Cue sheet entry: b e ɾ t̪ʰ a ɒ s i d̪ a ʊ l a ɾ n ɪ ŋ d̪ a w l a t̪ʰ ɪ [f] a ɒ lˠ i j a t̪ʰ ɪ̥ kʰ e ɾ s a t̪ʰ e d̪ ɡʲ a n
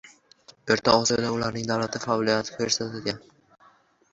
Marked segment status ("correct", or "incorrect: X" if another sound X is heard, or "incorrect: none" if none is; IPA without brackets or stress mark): correct